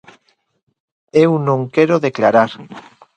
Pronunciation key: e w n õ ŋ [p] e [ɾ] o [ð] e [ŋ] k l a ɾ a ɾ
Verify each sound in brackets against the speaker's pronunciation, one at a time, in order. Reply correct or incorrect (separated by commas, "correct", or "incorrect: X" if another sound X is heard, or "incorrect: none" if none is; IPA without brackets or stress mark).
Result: incorrect: k, correct, correct, incorrect: none